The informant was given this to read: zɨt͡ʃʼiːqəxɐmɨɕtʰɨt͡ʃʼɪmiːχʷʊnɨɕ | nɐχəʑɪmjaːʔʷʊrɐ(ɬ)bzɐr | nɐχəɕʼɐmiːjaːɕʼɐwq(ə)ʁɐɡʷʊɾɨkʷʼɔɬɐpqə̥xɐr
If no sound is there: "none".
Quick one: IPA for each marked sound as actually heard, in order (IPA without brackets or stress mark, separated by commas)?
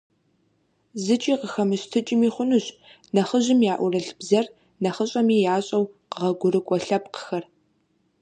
ɬ, ə